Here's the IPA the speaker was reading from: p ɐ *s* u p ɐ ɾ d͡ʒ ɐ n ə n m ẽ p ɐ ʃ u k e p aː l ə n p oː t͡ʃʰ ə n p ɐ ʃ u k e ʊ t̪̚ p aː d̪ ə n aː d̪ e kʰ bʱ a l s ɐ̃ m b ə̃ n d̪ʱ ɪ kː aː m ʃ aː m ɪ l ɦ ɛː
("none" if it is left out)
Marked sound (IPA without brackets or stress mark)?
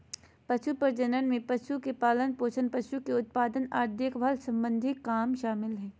ʃ